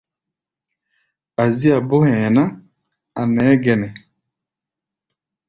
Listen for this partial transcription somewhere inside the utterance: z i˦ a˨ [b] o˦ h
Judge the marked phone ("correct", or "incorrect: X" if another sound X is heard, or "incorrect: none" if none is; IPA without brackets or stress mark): correct